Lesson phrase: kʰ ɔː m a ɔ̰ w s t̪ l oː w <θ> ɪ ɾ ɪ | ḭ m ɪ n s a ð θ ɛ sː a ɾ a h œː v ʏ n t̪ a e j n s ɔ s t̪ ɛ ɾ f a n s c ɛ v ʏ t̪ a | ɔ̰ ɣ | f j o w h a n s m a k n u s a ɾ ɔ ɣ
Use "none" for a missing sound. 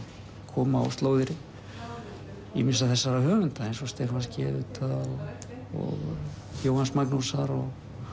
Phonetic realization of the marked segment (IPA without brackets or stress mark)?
ð